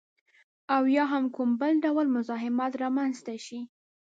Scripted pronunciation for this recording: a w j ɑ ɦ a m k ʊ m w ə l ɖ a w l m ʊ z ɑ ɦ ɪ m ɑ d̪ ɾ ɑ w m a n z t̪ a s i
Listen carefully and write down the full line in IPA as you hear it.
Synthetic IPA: a w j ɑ ɦ a m k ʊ m b ə l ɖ a w l m ʊ z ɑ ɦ ɪ m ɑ t̪ ɾ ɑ m a n z t̪ a ʃ i